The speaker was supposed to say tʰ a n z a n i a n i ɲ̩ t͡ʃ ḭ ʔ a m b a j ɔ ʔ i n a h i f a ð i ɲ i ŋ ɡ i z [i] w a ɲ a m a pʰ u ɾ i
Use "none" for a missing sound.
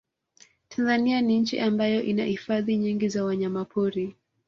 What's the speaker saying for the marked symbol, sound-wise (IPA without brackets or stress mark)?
a